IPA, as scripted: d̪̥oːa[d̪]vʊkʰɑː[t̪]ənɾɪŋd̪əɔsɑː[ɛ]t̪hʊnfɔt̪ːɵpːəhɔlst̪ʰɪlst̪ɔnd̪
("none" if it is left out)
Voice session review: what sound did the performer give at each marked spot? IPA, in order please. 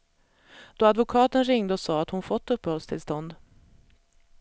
d̪, t̪, a

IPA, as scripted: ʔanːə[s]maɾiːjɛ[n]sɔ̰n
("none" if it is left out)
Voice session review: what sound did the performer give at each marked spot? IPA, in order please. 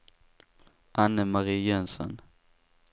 none, n

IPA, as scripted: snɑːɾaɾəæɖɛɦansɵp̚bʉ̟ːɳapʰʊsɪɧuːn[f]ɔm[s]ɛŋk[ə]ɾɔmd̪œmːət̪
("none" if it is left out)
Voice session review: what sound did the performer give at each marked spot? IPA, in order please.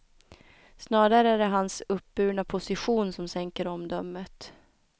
s, s, ə

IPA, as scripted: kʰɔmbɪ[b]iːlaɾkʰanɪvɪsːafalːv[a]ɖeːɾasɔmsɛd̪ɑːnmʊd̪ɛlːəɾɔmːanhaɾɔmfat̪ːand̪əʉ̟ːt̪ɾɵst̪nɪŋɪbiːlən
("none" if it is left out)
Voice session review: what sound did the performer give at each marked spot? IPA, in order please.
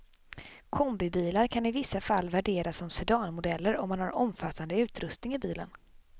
b, æ

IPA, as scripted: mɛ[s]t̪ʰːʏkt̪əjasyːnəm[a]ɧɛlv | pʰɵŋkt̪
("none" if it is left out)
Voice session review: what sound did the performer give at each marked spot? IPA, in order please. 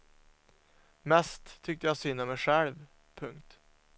s, ɛ

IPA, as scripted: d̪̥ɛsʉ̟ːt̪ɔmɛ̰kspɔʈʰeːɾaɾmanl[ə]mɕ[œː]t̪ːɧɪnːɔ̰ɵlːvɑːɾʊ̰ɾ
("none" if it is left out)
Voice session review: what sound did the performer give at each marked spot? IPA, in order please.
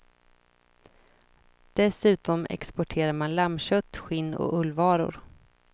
a, œ

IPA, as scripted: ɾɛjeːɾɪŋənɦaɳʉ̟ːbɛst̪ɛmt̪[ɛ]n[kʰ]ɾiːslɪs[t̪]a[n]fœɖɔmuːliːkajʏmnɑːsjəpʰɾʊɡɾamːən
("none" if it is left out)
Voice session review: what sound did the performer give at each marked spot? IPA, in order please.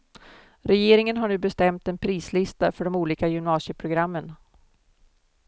ɛ, pʰ, t̪, none

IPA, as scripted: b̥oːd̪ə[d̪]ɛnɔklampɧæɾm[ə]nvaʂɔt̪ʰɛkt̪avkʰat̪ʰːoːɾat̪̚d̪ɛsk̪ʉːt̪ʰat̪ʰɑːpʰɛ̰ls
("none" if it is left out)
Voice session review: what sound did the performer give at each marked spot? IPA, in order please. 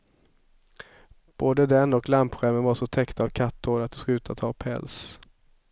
d̪, ə

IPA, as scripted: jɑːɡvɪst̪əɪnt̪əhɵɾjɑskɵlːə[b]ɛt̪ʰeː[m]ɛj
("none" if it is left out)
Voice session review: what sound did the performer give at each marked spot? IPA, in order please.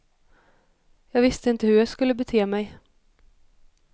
b, m

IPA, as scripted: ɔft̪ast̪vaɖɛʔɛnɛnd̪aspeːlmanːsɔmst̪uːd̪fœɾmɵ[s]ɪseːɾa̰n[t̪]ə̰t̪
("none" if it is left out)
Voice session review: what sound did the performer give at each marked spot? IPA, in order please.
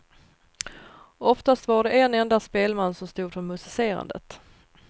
s, d̪

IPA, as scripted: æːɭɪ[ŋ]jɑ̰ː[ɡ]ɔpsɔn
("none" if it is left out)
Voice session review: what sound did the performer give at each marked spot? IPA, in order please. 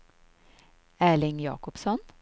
ŋ, k

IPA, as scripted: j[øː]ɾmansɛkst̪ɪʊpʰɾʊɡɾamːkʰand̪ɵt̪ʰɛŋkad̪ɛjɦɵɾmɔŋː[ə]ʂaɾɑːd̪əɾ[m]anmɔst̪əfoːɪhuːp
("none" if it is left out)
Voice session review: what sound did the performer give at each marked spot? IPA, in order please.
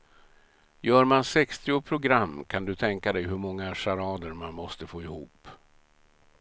œː, a, m

